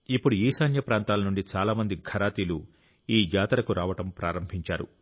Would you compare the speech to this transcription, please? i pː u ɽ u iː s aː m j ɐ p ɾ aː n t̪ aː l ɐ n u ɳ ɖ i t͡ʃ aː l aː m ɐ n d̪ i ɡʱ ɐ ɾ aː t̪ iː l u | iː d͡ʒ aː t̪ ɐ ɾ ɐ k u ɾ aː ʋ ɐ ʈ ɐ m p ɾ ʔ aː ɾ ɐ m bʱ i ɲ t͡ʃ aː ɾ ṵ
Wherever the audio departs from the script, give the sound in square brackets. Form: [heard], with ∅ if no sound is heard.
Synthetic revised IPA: i pː u ɽ u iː s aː [n] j ɐ p ɾ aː n t̪ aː l ɐ n u ɳ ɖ i t͡ʃ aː l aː m ɐ n d̪ i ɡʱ ɐ ɾ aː t̪ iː l u | iː d͡ʒ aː t̪ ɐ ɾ ɐ k u ɾ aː ʋ ɐ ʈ ɐ m p ɾ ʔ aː ɾ ɐ m bʱ i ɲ t͡ʃ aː ɾ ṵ